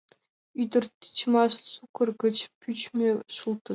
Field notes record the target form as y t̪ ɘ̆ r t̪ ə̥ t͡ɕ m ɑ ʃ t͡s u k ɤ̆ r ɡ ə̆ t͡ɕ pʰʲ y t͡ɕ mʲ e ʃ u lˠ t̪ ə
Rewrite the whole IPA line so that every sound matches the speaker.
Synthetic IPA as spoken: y d̪ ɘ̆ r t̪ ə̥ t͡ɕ m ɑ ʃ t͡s u k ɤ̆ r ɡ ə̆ t͡ɕ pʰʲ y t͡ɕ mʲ e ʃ u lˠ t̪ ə